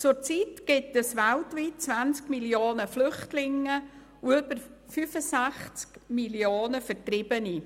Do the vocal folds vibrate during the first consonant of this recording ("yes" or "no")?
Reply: no